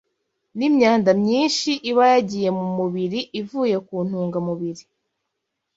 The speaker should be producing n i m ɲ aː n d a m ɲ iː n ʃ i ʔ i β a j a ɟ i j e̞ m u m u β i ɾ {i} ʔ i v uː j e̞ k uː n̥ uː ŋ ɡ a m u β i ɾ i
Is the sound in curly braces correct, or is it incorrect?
correct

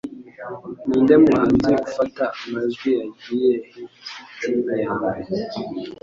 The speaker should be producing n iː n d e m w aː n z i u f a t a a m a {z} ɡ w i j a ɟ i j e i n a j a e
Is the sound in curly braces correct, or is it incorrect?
correct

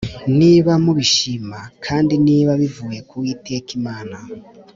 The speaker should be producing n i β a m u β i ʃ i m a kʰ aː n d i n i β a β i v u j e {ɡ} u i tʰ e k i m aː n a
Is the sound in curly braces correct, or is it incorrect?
incorrect: k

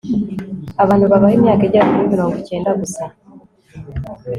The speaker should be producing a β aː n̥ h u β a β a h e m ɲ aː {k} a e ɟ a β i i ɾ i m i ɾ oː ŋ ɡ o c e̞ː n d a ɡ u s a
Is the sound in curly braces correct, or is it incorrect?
correct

